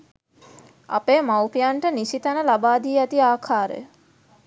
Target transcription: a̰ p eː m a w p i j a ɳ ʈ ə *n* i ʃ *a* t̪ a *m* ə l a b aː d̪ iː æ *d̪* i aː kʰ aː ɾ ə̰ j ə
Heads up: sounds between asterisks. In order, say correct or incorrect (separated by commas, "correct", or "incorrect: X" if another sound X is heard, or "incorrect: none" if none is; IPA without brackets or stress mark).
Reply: correct, incorrect: i, incorrect: n, incorrect: t̪